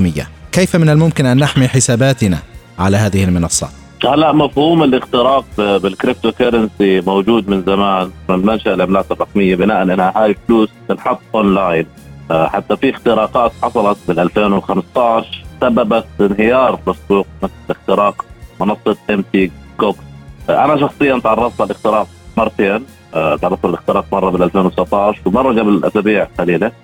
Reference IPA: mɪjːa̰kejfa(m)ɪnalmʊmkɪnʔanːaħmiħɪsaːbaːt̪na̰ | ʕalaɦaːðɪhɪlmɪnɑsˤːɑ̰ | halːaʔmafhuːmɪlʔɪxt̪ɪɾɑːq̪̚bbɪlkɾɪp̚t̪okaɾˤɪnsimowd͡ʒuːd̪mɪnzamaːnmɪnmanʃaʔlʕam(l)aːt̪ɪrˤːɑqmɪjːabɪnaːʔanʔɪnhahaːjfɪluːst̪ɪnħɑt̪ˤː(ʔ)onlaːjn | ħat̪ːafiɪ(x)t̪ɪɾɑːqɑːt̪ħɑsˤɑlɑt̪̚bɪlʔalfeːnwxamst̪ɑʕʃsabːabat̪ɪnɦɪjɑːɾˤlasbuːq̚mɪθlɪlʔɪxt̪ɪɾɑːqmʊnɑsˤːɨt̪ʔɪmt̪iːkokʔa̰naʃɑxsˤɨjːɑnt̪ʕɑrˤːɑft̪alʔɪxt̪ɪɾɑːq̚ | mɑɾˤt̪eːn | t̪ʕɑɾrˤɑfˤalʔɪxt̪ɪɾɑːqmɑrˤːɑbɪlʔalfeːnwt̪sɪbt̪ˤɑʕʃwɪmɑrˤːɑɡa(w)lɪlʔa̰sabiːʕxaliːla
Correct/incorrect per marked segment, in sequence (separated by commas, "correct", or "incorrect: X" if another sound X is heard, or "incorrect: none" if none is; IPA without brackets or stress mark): correct, correct, correct, correct, incorrect: b